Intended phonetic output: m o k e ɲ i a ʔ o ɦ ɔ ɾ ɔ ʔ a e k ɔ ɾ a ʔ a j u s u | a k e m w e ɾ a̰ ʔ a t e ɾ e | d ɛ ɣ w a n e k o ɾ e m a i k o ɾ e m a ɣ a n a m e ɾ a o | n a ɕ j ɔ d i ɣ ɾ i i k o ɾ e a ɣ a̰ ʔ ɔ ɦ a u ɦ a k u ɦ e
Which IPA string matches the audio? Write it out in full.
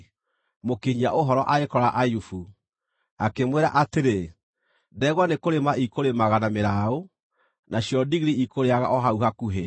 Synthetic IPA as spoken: m o k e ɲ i a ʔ o ɦ ɔ ɾ ɔ ʔ a e k ɔ ɾ a ʔ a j u f u | a k e m w e ɾ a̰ ʔ a t e ɾ e | d ɛ ɣ w a n e k o ɾ e m a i k o ɾ e m a ɣ a n a m e ɾ a o | n a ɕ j ɔ d i ɣ ɾ i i k o ɾ e a ɣ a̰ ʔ ɔ ɦ a u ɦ a k u ɦ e